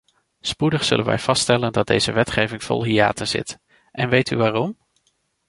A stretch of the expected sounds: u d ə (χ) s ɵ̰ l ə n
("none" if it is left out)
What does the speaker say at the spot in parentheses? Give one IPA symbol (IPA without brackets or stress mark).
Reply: χ